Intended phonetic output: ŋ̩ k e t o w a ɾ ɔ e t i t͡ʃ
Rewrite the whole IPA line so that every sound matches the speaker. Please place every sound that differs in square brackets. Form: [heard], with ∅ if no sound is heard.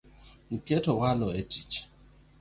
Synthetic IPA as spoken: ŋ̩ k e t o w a [l] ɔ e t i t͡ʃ